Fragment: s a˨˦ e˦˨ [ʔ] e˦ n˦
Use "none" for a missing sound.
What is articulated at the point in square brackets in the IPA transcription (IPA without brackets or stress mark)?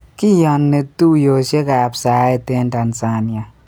t